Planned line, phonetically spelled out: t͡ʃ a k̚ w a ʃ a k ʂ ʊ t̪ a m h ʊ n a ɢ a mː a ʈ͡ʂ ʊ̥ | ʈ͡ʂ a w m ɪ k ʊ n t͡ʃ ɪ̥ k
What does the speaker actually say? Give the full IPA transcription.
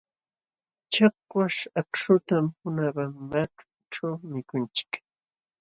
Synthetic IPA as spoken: t͡ʃ a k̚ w a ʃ a k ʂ ʊ t̪ a m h ʊ n a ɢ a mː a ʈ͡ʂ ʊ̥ | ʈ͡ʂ a w m ɪ k ʊ n t͡ʃ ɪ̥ k